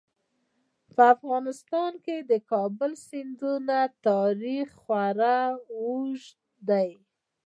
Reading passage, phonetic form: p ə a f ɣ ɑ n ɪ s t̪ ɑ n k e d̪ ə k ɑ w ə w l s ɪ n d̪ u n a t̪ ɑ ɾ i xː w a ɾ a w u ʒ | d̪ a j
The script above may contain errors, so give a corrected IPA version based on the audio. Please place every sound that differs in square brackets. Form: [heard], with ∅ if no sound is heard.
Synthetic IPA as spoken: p ə a f ɣ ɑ n ɪ s t̪ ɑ n k e d̪ ə k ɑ [b] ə [∅] l s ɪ n d̪ u n a t̪ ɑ ɾ i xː w a ɾ a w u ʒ | d̪ a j